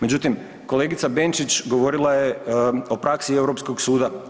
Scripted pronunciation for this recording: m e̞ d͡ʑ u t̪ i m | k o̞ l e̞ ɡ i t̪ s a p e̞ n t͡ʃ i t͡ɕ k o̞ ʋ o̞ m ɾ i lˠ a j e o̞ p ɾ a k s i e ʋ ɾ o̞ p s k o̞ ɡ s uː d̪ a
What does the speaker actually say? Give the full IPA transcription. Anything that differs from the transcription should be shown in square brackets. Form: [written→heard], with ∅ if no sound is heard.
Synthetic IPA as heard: m e̞ d͡ʑ u t̪ i m | k o̞ l e̞ ɡ i t̪ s a [p→b] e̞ n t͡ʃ i t͡ɕ [k→ɡ] o̞ ʋ o̞ [m→∅] ɾ i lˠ a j e o̞ p ɾ a k s i e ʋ ɾ o̞ p s k o̞ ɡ s uː d̪ a